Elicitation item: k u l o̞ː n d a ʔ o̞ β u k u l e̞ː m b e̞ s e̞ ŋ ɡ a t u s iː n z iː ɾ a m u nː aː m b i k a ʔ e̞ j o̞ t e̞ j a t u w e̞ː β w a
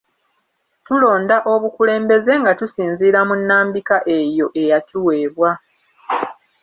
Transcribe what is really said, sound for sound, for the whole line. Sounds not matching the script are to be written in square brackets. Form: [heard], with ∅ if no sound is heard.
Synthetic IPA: [t] u l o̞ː n d a ʔ o̞ β u k u l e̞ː m b e̞ [z] e̞ ŋ ɡ a t u s iː n z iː ɾ a m u nː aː m b i k a ʔ e̞ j o̞ [ʔ] e̞ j a t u w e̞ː β w a